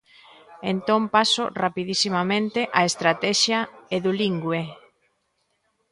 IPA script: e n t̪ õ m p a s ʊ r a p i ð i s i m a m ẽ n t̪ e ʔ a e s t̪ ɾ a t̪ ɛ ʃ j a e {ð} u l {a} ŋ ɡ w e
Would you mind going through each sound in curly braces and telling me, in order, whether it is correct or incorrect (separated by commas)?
correct, incorrect